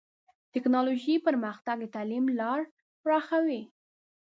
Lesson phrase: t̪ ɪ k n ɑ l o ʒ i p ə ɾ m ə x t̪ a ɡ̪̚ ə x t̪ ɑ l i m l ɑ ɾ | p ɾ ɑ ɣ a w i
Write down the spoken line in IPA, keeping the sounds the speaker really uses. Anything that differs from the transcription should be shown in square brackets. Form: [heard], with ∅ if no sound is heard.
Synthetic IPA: t̪ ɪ k n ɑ l o ʒ i p ə ɾ m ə x t̪ a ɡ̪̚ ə [∅] t̪ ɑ l i m l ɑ ɾ | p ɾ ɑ [x] a w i